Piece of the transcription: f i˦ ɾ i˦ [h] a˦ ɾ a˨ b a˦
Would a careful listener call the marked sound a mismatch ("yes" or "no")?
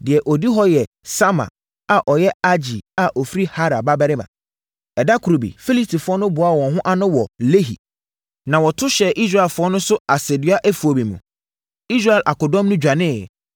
no